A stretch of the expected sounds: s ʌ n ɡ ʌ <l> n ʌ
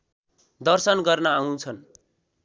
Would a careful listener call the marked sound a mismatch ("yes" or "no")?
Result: yes